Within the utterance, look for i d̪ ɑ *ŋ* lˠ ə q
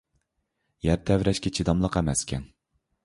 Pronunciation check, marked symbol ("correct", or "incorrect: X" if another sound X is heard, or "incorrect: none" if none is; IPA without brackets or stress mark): incorrect: m